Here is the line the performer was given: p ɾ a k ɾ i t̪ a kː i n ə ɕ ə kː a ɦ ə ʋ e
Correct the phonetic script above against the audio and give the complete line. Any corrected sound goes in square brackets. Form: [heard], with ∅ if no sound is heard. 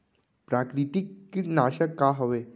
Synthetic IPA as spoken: p ɾ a k ɾ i t̪ [i] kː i n [a] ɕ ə kː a ɦ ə ʋ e